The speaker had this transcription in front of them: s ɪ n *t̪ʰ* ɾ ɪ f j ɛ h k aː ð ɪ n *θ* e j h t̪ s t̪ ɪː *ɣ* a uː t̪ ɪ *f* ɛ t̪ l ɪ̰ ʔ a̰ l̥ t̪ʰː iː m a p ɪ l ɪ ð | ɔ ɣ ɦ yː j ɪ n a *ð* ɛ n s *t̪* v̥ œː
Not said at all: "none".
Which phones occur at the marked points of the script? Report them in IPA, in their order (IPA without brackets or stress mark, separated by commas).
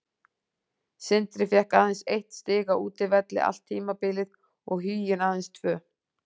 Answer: t̪, s, ɣ, v, ð, t̪ʰ